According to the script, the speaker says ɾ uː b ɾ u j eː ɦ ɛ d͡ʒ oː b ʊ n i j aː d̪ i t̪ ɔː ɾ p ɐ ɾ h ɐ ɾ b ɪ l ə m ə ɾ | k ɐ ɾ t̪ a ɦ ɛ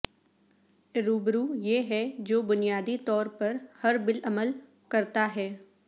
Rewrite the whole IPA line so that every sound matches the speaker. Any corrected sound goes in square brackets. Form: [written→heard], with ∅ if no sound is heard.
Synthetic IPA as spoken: ɾ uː b ɾ u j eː ɦ ɛ d͡ʒ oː b ʊ n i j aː d̪ i t̪ ɔː ɾ p ɐ ɾ h ɐ ɾ b ɪ l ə m ə [ɾ→l] | k ɐ ɾ t̪ a ɦ [ɛ→ɛː]